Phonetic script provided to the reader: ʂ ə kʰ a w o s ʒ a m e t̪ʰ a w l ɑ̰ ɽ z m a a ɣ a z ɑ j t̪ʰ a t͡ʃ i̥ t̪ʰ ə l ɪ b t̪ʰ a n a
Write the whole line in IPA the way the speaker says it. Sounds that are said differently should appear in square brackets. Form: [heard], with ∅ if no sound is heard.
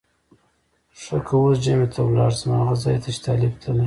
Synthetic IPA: ʂ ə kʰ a w o s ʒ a m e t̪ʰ a w l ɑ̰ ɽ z m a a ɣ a z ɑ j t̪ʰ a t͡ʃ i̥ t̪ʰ [ɑ] l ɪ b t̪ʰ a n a